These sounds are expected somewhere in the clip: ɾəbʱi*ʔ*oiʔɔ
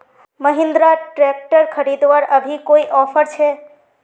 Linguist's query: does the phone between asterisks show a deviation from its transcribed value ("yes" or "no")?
yes